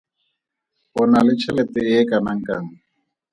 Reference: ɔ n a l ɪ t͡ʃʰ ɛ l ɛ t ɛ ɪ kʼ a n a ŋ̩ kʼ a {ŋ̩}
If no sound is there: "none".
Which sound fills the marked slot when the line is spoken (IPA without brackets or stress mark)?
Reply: ŋ̩